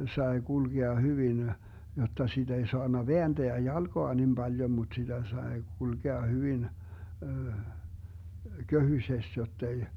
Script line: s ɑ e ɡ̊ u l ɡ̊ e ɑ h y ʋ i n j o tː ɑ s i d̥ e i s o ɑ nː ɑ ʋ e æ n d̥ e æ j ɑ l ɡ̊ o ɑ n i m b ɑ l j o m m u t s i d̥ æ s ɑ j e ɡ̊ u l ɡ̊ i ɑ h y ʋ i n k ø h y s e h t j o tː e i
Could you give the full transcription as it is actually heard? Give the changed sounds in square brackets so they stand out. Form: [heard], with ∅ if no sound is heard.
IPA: s ɑ e ɡ̊ u l ɡ̊ e ɑ h y ʋ i n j o tː ɑ s i d̥ e i s o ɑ nː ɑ ʋ e æ n d̥ e æ j ɑ l ɡ̊ o ɑ n i m b ɑ l j o m m u t s i d̥ æ s ɑ [∅] e ɡ̊ u l ɡ̊ [e] ɑ h y ʋ i n k ø h y s e [s] t j o tː e i

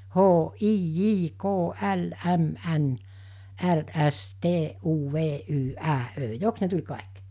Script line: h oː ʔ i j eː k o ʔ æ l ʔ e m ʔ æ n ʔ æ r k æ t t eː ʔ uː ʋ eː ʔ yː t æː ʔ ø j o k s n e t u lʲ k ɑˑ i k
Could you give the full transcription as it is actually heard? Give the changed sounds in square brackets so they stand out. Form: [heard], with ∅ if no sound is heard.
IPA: h oː ʔ [iː] j [iː] k [oː] ʔ æ l ʔ [æ] m ʔ æ n ʔ æ r [ʔ] æ [s] t eː ʔ uː ʋ eː ʔ yː [ʔ] æː ʔ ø j o k s n e t u lʲ k ɑˑ i k

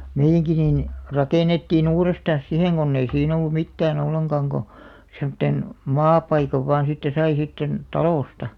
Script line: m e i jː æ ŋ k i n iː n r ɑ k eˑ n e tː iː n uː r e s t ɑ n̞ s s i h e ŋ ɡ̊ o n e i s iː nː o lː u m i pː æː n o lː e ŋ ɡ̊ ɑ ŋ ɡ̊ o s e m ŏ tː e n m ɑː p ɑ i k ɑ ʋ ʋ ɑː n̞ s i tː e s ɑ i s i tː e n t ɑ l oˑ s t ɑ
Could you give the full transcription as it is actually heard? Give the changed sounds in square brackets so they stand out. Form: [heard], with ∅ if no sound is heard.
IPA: m e i jː æ ŋ k i n iː n r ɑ k eˑ n e tː iː n uː r e s t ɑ n̞ s s i h e ŋ ɡ̊ o [nː] e i s iː [n] o lː u m i [tː] æː n o lː e ŋ ɡ̊ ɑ ŋ ɡ̊ o s e m ŏ tː e n m ɑː p ɑ i k ɑ ʋ ʋ ɑː n̞ s i tː e s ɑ i s i tː e n t ɑ l oˑ s t ɑ

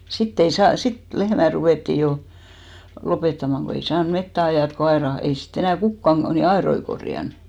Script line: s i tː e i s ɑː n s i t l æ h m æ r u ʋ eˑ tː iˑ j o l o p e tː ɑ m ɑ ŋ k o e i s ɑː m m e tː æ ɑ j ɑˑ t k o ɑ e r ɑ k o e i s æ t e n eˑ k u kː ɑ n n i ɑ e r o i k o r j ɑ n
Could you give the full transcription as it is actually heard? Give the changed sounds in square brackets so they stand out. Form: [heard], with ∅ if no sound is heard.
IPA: s i tː e i s ɑː n s i t l [e] h m æ r u ʋ eˑ tː iˑ j o l o p e tː ɑ m ɑ ŋ k o e i s ɑː [n] m e tː æ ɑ j ɑˑ t k o ɑ e r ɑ k o e i s [i] t e n [æˑ] k u kː ɑ n n i ɑ e r o i k o r j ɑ n

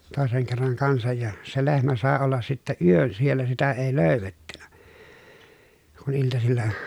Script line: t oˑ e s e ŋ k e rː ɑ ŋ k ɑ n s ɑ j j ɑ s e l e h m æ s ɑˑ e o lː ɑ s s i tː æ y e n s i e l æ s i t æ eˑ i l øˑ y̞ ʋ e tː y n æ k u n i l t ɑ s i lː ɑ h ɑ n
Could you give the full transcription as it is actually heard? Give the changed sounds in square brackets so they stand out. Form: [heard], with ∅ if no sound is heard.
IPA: t oˑ e s e ŋ k e rː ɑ ŋ k ɑ n s ɑ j j ɑ s e l e h m æ s ɑˑ e o lː ɑ s s i tː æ y [ø] n s i e [lː] æ s i t æ eˑ i l øˑ y̞ ʋ e tː y n æ k u n i l t ɑ s i lː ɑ h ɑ n

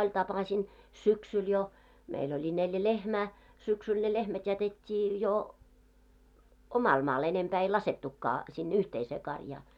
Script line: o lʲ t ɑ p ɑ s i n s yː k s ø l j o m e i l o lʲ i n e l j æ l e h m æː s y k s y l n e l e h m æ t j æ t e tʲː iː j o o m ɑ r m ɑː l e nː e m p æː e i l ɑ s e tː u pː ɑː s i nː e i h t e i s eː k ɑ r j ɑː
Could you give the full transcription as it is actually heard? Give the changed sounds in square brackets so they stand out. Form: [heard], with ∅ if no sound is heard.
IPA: o lʲ t ɑ p ɑ s i n s [y] k s [y] l j o m e i l o lʲ i n e l j æ l e h m æː s y k s y l n e l e h m æ t j æ t e tʲː iː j o o m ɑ [l] m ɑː l e [n] e m p æː e i l ɑ s e tː u [kː] ɑː s i nː e [y] h t e i s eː k ɑ r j ɑː

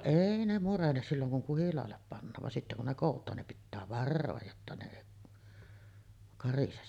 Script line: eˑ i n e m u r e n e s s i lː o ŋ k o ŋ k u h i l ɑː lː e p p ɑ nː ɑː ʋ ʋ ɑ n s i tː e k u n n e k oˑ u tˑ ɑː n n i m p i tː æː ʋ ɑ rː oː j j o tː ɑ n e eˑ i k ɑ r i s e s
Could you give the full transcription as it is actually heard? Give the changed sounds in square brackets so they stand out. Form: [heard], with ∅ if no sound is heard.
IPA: eˑ i n e m u r e n e s s i lː o ŋ k [u] ŋ k u h i l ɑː lː e p p ɑ nː ɑː ʋ ʋ ɑ n s i tː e k u n n e k oˑ u tˑ ɑː n n i m p i tː æː ʋ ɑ rː oː j j o tː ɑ n e eˑ i k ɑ r i s e s

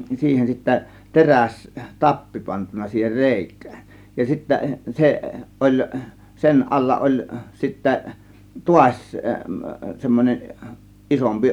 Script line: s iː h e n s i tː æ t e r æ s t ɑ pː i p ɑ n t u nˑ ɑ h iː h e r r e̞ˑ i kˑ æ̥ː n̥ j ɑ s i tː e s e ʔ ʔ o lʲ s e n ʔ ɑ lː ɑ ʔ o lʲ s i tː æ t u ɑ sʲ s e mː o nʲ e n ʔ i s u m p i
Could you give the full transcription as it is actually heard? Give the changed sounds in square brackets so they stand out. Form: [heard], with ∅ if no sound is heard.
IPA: s iː h e n s i tː æ t e r æ s t ɑ pː i p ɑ n t u nˑ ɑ [s] iː h e r r e̞ˑ i kˑ æ̥ː n̥ j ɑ s i tː [æ] s e ʔ ʔ o lʲ s e n ʔ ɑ lː ɑ ʔ o lʲ s i tː æ t u ɑ sʲ s e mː o nʲ e n ʔ i s [o] m p i

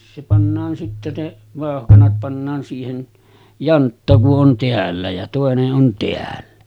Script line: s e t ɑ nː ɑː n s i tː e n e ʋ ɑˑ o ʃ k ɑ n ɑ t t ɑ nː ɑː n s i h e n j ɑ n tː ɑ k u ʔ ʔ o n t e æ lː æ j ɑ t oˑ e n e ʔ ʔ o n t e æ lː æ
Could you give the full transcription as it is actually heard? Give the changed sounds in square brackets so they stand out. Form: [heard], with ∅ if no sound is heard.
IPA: s e [p] ɑ nː ɑː n s i tː e n e ʋ ɑˑ o [h] k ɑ n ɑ t [p] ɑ nː ɑː n s [iː] h e n j ɑ n tː ɑ k u ʔ ʔ o n t e æ lː æ j ɑ t oˑ e n e ʔ ʔ o n t e æ lː æ

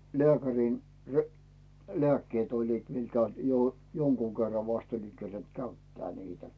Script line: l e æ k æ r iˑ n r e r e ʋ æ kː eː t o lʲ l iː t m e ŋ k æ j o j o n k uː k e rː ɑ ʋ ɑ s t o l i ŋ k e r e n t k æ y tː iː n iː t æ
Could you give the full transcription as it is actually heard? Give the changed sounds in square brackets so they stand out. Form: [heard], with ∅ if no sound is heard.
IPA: l e æ k æ r iˑ n r e [l] e [∅] æ kː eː t o lʲ l iː t m [i] ŋ k æ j o j o [ŋ] k uː k e rː ɑ ʋ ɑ s t o l i ŋ k e r e n t k æ y tː [æː] n iː t æ

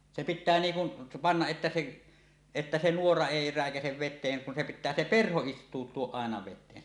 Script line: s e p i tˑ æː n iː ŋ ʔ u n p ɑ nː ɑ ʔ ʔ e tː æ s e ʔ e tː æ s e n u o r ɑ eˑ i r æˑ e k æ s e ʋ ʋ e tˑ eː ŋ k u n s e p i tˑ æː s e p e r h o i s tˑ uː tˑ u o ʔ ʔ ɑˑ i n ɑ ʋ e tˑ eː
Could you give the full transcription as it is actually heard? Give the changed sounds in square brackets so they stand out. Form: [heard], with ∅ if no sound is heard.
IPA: s e p i tˑ æː n iː ŋ [k] u n p ɑ nː ɑ ʔ ʔ e tː æ s e ʔ e tː æ s e n u o r ɑ eˑ i r æˑ e k æ s e ʋ ʋ e tˑ eː ŋ k u n s e p i tˑ æː s e p e r h o i s tˑ uː tˑ u o ʔ ʔ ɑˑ [e] n ɑ ʋ e tˑ eː

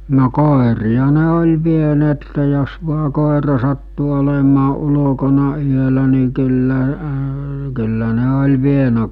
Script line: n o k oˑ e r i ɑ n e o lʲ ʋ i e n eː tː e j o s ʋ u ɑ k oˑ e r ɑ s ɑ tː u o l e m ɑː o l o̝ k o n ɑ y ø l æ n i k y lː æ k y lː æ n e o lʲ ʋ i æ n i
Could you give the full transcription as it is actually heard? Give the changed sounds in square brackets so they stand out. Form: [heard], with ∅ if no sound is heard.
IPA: n o k oˑ e r i ɑ n e o lʲ ʋ i e n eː tː e j o s ʋ u ɑ k oˑ e r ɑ s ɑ tː u o l e m ɑː [u] l o̝ k o n ɑ y ø l æ n i k y lː æ k y lː æ n e o lʲ ʋ i [e] n [æ]

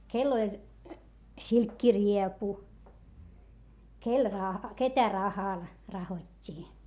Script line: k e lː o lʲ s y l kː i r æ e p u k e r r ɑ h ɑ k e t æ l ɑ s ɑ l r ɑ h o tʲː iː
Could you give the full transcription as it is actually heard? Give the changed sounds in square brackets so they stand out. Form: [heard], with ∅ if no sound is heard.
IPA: k e lː o lʲ s [i] l kː i r [i] e p u k e [l] r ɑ h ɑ k e t æ [r] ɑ [h] ɑ l r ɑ h o tʲː iː

